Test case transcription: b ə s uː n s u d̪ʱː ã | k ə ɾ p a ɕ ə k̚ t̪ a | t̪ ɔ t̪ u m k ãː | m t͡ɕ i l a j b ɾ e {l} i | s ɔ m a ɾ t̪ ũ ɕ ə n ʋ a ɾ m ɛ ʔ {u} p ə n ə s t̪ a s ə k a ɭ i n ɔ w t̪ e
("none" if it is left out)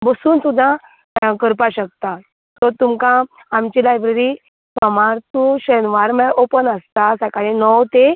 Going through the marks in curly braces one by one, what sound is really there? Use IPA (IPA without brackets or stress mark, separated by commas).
ɾ, o